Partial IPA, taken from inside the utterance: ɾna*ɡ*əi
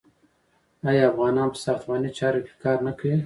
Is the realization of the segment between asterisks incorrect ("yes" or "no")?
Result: yes